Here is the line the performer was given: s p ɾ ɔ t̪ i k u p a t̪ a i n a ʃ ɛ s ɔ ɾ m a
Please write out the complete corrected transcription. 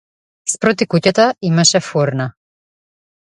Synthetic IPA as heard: s p ɾ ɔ t̪ i k u c a t̪ a i m a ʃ ɛ f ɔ ɾ n a